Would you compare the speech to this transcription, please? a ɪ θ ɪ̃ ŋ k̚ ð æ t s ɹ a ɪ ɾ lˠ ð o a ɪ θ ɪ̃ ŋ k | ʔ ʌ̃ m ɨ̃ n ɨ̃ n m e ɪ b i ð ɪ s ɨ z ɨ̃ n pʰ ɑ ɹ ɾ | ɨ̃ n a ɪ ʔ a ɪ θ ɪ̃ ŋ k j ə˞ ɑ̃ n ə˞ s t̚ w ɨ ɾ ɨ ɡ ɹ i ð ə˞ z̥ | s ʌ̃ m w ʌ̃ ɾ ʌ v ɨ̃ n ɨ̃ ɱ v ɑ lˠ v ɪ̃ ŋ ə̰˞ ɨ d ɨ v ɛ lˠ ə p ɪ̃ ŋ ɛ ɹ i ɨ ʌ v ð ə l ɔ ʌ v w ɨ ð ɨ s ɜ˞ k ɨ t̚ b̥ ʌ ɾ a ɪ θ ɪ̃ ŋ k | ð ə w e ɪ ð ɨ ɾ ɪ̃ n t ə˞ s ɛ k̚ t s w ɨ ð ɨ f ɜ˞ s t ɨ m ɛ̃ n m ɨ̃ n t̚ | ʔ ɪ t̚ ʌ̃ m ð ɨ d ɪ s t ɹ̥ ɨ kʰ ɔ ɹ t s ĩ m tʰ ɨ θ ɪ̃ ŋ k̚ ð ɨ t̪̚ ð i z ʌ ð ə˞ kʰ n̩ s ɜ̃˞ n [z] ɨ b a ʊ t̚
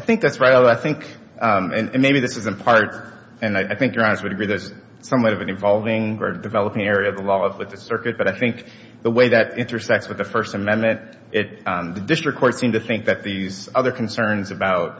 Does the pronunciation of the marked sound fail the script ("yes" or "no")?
no